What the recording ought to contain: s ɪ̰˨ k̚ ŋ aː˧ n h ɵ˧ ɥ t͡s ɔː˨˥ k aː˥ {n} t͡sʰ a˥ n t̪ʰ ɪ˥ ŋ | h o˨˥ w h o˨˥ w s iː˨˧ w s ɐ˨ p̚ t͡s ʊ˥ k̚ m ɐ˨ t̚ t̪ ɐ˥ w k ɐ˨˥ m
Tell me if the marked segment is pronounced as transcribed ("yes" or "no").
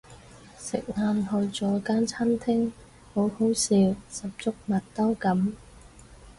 yes